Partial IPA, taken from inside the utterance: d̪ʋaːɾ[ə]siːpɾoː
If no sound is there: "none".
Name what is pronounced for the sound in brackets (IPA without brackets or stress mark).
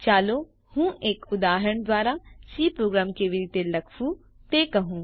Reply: a